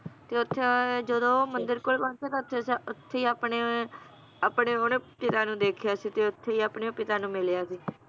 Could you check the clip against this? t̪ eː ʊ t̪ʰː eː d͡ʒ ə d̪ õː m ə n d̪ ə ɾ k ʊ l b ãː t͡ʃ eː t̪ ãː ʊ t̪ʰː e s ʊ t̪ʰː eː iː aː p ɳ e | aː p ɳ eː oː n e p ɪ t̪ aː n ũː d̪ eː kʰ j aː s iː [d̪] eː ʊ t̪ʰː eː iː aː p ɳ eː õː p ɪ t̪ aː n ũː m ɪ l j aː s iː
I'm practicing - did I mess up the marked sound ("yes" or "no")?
yes